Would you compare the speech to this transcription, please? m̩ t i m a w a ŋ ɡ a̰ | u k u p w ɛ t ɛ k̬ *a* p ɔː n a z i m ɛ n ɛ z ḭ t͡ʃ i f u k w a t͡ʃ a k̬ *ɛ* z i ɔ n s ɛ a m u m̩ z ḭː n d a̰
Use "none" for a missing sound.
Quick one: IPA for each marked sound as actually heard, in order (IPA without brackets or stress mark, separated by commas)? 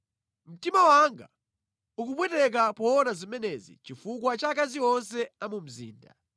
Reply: a, a